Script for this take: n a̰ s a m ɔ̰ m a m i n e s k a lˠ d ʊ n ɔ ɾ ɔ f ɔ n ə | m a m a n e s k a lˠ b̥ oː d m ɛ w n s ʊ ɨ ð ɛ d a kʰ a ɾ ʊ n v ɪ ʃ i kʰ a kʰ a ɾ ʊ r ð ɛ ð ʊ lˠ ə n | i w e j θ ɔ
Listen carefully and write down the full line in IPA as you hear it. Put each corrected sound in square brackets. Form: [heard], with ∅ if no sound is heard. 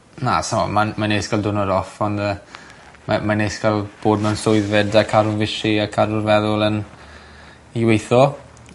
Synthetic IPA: n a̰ s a m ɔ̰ m a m [a] n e s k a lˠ d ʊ n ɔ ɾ ɔ f ɔ n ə | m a m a n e s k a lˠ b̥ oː d m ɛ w n s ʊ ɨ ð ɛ d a kʰ a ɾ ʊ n v ɪ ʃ i [∅] a kʰ a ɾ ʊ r [v] ɛ ð ʊ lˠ ə n | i w e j θ ɔ